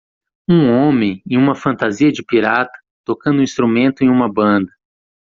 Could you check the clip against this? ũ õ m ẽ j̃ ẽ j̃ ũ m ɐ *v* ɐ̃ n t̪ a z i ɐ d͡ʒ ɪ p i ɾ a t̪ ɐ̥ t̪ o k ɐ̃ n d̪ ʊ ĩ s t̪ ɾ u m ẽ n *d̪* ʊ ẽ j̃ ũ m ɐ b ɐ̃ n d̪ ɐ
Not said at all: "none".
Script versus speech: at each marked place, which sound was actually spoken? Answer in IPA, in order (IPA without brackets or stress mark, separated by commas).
f, t̪